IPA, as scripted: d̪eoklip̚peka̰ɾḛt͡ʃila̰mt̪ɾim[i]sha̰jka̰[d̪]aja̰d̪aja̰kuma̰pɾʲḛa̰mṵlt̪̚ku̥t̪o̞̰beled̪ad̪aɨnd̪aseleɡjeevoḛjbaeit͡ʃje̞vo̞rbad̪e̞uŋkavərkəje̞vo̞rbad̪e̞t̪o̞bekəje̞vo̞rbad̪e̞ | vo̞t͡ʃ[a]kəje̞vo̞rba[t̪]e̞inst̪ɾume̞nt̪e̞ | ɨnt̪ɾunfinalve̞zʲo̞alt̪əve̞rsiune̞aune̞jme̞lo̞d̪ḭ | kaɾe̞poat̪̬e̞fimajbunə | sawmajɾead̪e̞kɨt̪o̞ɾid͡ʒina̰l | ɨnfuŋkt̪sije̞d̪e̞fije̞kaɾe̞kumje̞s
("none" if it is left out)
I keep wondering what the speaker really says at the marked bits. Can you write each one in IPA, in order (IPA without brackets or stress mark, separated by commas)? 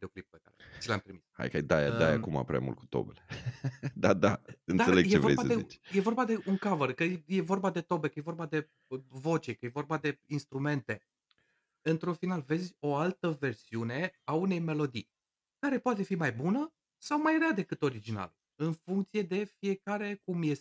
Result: i, d̪, e, d̪